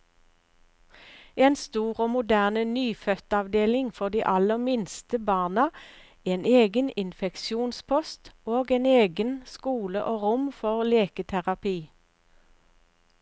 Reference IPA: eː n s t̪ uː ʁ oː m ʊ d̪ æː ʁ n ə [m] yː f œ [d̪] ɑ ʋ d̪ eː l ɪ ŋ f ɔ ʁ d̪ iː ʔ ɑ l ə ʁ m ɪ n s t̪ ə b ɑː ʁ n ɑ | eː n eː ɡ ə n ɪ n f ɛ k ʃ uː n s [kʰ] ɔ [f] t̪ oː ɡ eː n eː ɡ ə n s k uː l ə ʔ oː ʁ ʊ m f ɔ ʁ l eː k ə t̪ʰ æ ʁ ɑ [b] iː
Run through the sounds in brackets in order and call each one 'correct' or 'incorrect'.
incorrect, incorrect, incorrect, incorrect, incorrect

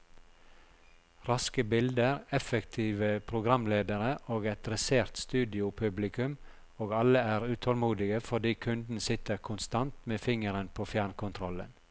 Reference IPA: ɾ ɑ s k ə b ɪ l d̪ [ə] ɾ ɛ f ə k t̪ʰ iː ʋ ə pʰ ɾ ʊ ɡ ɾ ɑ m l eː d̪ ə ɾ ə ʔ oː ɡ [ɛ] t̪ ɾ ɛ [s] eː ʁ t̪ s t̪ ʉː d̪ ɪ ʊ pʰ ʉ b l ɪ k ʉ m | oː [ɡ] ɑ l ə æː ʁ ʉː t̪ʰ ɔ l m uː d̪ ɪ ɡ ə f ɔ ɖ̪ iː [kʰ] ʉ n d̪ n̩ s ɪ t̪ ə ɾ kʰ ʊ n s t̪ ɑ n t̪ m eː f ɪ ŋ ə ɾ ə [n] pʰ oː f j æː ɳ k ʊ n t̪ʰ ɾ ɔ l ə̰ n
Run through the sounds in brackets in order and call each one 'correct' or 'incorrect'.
correct, correct, correct, correct, correct, correct

